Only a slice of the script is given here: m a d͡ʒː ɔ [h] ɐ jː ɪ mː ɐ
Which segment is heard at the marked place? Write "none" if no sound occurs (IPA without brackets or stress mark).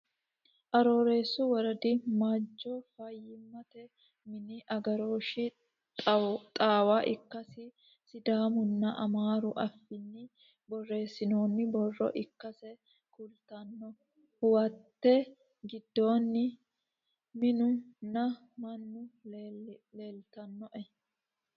f